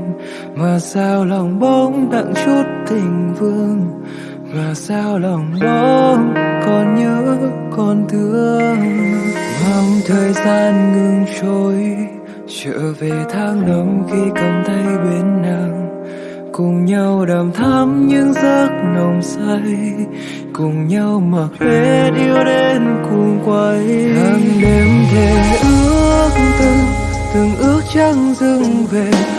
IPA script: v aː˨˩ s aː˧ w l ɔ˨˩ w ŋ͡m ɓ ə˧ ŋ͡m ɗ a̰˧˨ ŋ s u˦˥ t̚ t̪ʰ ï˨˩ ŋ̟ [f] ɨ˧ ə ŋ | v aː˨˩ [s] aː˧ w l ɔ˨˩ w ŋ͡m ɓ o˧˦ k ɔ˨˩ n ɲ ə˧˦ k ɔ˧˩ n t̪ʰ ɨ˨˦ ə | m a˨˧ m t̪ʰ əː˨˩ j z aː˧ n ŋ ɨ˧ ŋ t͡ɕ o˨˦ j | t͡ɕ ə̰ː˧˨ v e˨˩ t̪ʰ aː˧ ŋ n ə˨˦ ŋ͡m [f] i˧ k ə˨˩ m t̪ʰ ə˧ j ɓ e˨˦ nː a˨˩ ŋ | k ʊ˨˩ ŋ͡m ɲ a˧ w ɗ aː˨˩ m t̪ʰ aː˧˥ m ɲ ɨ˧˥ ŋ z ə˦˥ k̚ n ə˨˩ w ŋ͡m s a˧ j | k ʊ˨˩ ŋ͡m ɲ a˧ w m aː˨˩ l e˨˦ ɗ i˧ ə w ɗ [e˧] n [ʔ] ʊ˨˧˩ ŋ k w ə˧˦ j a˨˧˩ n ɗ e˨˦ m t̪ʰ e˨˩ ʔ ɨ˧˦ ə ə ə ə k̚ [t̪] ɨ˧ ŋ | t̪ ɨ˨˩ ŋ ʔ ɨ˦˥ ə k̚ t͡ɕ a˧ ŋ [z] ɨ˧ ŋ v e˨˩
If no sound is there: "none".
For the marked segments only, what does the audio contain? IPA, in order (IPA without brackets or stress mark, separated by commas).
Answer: v, s, x, e˧, k, t̪, z